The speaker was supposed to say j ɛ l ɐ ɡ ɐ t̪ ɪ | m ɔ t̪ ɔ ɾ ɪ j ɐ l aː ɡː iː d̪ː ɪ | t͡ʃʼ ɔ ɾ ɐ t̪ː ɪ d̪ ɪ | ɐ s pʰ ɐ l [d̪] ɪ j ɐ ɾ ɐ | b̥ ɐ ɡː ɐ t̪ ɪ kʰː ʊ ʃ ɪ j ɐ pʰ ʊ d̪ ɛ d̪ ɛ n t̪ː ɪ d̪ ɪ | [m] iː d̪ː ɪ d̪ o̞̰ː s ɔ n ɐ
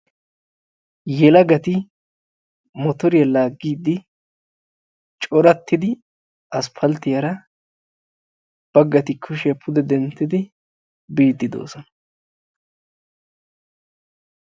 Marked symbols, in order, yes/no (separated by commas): no, no